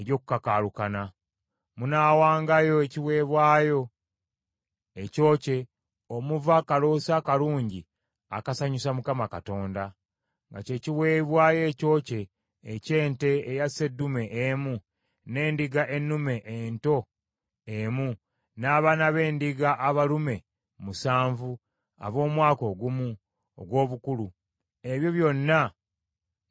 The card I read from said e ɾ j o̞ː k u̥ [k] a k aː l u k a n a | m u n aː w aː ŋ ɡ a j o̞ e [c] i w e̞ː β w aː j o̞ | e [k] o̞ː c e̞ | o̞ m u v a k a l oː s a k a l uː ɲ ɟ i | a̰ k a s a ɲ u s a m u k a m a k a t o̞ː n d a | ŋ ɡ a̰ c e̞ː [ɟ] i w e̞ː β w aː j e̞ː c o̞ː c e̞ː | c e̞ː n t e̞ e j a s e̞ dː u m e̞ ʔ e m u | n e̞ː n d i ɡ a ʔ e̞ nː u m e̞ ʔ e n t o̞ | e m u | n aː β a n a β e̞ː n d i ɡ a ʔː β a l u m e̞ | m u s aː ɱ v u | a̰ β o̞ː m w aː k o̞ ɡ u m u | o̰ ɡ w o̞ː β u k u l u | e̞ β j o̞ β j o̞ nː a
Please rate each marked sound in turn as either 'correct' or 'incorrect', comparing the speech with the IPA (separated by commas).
correct, correct, incorrect, incorrect